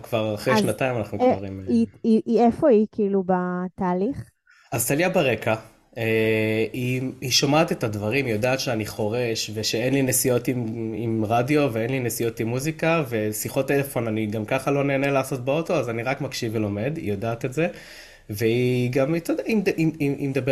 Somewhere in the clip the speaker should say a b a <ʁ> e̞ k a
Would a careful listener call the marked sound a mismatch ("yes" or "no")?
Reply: no